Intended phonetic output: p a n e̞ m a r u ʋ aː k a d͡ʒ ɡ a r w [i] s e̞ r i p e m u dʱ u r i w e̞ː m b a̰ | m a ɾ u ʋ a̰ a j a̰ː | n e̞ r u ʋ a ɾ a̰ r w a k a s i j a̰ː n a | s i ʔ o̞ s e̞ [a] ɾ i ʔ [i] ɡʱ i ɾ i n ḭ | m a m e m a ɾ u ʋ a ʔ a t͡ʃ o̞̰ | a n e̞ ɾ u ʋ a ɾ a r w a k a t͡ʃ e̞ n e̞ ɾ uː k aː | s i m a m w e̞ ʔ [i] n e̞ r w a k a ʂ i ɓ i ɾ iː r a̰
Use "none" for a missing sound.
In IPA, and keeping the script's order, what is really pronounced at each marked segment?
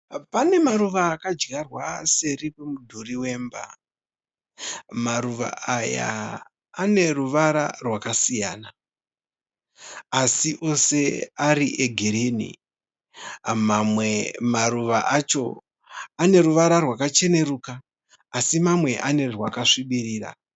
a, a, e, a

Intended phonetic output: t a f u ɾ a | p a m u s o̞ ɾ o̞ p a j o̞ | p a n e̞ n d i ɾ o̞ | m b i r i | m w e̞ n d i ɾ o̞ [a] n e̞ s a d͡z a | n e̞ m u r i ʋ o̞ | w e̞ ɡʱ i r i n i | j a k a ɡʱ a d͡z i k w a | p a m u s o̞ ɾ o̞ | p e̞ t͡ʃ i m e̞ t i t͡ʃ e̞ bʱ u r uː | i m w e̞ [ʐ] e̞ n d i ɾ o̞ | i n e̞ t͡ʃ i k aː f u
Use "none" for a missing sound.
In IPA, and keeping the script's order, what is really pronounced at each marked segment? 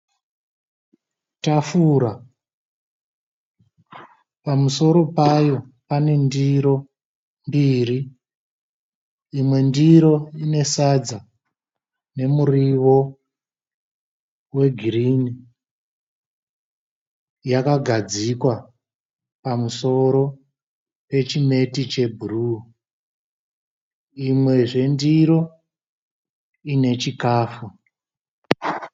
i, ʐ

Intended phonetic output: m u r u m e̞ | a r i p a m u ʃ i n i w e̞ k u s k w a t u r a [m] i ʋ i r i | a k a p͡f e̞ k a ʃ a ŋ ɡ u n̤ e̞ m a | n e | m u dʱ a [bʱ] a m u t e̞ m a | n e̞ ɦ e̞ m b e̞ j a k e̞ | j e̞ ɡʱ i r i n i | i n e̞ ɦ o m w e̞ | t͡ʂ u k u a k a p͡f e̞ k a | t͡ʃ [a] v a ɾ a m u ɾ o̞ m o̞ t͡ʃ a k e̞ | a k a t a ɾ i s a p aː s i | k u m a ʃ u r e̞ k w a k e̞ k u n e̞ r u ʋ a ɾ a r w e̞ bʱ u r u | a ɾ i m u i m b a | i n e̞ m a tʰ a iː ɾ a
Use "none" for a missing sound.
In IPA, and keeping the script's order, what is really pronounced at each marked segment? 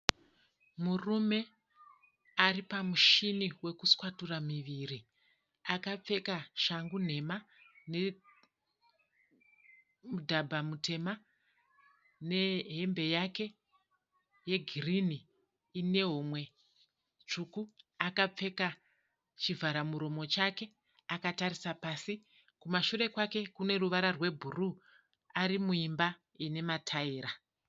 m, bʱ, i

